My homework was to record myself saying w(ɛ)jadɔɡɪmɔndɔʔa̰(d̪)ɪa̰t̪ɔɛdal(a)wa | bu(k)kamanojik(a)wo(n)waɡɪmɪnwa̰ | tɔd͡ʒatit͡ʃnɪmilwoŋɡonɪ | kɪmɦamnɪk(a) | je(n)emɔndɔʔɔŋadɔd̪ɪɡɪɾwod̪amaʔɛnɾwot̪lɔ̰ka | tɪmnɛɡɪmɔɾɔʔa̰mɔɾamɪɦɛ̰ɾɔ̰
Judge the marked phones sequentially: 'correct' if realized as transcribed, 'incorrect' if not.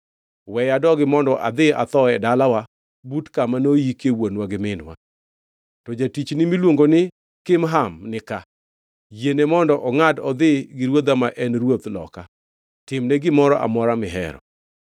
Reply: correct, correct, correct, incorrect, incorrect, correct, correct, correct

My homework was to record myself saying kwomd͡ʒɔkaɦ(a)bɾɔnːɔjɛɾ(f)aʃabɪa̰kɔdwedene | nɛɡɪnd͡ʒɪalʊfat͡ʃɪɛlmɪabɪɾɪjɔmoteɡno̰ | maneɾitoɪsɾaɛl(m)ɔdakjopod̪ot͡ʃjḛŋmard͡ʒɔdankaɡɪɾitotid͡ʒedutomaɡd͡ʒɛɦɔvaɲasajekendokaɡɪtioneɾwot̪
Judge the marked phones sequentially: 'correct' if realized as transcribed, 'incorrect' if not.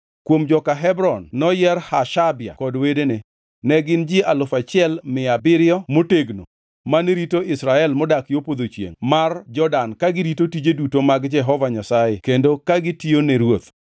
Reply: incorrect, incorrect, correct

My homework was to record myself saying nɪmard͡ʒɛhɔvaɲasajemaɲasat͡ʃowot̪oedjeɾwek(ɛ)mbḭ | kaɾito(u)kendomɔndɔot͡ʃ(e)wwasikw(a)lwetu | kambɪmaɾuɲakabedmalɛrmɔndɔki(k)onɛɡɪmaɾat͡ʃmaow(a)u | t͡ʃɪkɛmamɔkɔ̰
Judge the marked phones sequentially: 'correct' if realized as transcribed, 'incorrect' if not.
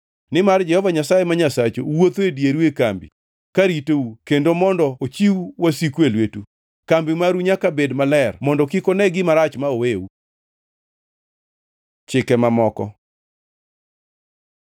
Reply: incorrect, correct, incorrect, incorrect, correct, incorrect

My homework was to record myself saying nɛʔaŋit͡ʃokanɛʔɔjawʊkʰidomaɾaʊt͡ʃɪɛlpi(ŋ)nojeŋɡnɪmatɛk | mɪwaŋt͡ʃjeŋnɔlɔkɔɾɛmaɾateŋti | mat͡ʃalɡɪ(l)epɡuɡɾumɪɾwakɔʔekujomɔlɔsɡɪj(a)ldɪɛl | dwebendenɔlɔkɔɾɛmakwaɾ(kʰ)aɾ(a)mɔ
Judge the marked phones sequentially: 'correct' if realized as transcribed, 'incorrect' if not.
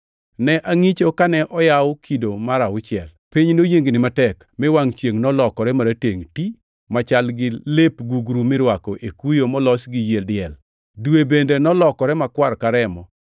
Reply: incorrect, correct, incorrect, incorrect, incorrect

